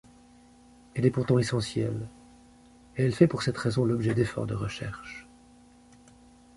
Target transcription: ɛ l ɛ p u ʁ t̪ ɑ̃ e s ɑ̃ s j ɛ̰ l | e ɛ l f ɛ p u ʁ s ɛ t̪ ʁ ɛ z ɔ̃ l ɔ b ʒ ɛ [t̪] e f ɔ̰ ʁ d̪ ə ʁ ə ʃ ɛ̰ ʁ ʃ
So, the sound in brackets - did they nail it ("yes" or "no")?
no